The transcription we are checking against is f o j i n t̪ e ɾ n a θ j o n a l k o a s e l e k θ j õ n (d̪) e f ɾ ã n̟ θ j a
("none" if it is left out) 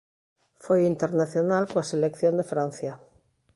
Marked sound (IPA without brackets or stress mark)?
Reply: d̪